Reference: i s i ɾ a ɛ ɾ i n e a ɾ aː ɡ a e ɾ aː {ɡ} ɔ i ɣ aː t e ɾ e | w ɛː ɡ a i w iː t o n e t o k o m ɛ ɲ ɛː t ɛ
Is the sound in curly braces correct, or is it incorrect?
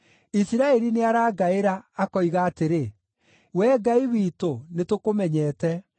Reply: incorrect: k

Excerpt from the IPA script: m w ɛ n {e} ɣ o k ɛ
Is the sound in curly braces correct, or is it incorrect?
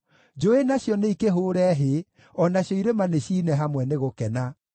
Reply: correct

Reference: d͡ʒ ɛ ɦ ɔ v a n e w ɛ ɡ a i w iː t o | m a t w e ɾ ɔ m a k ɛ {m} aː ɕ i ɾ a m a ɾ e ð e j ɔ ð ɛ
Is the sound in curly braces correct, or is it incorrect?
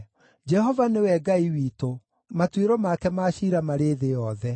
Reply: correct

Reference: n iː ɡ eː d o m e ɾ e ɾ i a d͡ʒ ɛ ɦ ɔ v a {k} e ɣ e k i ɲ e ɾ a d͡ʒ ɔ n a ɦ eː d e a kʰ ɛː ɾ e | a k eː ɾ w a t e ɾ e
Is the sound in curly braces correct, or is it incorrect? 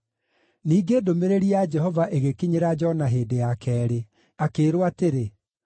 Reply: incorrect: ʔ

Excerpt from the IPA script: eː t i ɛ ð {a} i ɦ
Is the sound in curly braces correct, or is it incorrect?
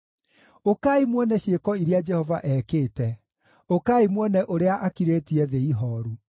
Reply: incorrect: e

